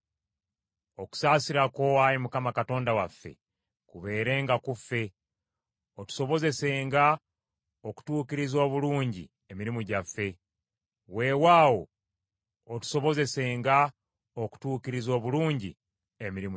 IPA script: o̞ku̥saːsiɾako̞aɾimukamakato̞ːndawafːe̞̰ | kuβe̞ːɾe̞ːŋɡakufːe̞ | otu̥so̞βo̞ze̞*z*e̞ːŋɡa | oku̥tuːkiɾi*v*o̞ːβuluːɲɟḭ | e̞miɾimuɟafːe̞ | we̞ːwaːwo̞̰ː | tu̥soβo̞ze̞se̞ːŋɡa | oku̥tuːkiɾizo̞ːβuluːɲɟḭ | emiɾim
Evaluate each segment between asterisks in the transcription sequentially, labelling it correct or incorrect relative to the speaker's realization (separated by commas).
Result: incorrect, incorrect